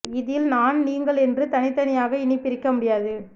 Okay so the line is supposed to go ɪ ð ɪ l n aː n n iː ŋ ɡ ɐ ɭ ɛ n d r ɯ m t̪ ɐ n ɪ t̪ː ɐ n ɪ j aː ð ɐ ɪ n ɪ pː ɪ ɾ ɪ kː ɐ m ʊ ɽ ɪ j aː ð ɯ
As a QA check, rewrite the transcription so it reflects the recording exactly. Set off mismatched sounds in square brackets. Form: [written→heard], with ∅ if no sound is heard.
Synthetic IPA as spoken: ɪ ð ɪ l n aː n n iː ŋ ɡ ɐ ɭ ɛ n d r ɯ [m→∅] t̪ ɐ n ɪ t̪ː ɐ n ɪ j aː [ð→ɣ] ɐ ɪ n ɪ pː ɪ ɾ ɪ kː ɐ m ʊ ɽ ɪ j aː ð ɯ